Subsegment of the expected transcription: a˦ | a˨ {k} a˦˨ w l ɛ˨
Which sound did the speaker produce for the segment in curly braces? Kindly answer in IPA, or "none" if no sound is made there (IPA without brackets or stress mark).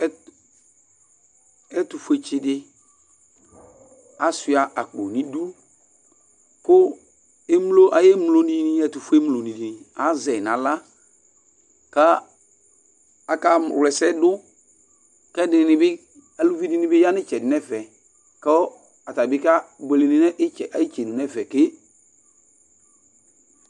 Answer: k